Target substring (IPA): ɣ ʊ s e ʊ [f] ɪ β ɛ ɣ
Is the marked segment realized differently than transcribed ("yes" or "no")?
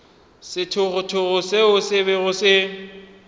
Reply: yes